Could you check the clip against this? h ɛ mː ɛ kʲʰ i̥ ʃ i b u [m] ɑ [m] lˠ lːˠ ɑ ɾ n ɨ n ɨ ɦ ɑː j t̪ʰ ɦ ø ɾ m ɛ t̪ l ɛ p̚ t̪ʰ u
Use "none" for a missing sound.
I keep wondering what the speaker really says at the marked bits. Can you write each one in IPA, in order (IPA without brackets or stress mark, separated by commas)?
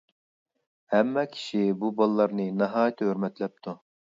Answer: b, none